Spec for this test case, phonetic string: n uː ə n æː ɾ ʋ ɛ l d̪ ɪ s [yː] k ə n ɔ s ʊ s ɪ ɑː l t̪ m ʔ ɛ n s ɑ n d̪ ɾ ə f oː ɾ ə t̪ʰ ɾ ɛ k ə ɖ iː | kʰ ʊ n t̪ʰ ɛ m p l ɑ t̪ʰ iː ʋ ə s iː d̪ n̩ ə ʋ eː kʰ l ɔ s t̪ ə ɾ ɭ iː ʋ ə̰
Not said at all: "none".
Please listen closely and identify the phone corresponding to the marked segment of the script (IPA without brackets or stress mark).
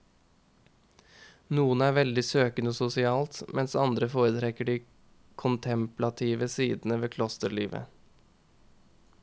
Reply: øː